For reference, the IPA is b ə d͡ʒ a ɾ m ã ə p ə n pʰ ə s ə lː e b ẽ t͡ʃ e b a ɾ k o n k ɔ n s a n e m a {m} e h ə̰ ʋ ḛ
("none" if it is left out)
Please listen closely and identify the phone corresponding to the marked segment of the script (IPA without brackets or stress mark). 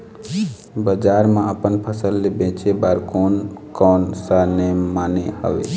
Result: n